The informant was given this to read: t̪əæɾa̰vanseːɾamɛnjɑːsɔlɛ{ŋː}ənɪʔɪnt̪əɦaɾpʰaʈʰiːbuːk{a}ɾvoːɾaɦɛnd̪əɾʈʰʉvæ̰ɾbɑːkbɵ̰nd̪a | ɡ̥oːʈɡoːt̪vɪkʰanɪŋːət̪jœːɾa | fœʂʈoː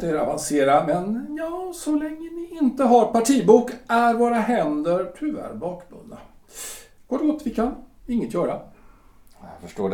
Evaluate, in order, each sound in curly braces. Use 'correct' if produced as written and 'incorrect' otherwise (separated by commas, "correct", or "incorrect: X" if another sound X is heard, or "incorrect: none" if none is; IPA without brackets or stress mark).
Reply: correct, incorrect: æ